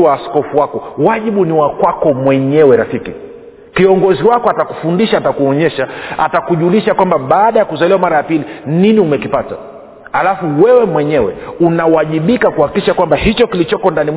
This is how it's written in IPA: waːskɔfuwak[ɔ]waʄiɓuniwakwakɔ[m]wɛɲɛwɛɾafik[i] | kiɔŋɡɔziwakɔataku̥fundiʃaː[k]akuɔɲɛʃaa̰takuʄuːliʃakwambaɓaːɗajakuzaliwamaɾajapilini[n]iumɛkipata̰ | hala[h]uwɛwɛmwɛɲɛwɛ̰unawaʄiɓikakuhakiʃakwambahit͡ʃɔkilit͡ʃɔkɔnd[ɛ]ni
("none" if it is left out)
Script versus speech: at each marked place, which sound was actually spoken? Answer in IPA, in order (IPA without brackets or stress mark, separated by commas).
ɔ, m, i, t, n, f, a